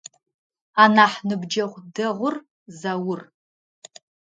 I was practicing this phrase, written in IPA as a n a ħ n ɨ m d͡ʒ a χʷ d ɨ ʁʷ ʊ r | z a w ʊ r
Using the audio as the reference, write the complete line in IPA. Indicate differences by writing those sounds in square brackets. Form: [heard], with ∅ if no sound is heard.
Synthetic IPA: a n a ħ n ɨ [b] d͡ʒ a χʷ d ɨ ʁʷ ʊ r | z a w ʊ r